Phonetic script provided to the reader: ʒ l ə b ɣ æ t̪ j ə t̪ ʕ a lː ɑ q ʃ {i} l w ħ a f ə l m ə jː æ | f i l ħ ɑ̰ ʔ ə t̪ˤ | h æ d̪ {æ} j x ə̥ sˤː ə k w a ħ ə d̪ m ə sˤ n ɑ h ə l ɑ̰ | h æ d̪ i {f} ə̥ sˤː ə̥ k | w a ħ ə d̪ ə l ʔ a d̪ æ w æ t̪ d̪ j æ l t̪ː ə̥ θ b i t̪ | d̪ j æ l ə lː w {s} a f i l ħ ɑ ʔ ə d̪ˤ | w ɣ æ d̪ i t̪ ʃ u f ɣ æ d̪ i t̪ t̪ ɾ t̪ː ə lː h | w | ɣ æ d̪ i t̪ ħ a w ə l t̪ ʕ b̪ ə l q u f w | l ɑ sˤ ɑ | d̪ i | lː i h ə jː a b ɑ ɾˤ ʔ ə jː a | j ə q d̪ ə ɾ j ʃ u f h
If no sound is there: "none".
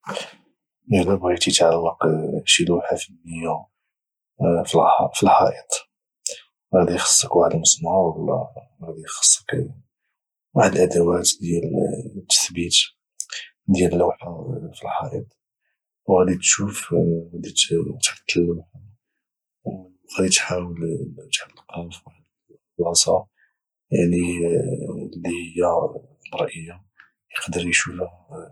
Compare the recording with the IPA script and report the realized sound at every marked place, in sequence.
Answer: i, i, x, ħ

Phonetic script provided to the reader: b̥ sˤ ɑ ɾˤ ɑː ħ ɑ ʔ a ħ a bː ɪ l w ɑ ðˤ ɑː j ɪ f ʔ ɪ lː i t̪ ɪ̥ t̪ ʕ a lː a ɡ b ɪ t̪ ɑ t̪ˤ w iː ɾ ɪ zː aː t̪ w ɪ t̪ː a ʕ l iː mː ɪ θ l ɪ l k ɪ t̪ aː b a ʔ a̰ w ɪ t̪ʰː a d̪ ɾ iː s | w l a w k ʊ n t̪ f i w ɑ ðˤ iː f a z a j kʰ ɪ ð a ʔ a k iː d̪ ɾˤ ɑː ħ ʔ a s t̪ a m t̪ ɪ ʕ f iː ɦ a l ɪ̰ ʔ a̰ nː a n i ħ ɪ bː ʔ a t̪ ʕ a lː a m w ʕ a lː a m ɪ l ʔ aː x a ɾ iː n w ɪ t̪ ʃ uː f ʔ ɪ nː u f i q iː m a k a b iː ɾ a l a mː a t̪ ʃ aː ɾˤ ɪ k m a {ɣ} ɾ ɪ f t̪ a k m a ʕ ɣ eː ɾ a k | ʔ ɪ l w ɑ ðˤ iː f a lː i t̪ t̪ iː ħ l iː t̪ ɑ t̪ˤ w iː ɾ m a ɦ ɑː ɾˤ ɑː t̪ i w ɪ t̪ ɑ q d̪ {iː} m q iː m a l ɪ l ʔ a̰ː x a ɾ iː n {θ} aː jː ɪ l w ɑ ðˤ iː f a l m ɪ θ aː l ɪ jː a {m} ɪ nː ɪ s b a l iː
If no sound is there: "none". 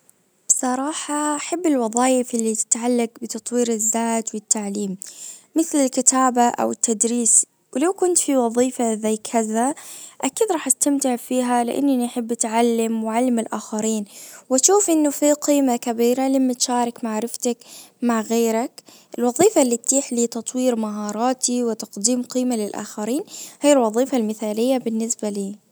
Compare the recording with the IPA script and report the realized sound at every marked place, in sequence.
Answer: ʕ, iː, h, b

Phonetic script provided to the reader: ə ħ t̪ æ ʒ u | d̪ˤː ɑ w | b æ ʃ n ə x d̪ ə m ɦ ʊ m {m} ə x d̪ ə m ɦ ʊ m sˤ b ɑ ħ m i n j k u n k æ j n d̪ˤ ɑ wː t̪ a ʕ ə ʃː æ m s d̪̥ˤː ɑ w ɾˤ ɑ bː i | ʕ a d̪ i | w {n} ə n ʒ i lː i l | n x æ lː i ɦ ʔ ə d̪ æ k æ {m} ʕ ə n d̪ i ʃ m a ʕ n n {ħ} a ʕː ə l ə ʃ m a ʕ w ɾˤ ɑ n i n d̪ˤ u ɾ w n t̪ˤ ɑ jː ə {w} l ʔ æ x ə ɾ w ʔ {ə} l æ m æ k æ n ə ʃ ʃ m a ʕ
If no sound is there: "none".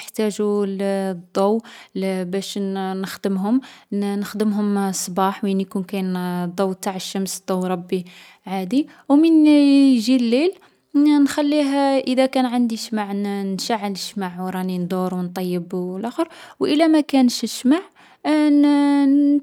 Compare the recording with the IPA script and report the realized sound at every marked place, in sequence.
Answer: n, m, n, ʃ, b, ə

